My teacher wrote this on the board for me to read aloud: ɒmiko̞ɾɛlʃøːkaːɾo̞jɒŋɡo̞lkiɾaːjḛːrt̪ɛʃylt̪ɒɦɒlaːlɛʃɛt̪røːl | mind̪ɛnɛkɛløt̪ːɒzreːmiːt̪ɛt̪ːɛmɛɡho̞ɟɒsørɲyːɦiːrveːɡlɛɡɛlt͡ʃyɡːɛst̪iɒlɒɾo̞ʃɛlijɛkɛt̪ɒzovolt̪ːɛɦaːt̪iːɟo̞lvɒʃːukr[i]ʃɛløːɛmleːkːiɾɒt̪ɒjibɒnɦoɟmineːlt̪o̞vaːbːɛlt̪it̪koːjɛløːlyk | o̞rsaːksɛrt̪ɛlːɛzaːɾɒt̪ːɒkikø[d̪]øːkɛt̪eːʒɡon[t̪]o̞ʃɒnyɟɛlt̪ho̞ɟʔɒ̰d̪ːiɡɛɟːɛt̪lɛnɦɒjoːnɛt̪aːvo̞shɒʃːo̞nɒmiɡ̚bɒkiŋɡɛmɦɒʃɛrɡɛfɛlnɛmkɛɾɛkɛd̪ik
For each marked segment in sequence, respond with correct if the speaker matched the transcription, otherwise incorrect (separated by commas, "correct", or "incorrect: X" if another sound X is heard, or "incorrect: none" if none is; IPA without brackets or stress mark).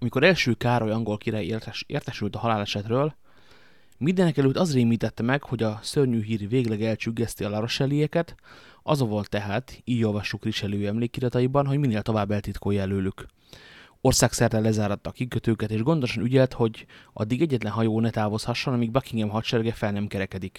correct, incorrect: t̪, incorrect: d̪